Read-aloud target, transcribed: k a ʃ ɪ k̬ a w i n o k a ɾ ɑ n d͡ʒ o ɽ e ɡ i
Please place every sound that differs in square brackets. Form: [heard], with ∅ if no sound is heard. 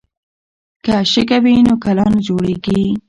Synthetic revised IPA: k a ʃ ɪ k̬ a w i n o k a [l] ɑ n d͡ʒ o ɽ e ɡ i